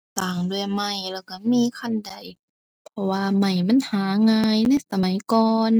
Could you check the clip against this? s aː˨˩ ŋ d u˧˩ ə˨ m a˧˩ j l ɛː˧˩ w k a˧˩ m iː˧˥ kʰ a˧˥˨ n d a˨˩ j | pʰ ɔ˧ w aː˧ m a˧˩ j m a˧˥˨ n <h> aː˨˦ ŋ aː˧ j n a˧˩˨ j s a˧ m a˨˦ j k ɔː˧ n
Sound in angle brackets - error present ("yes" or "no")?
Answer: no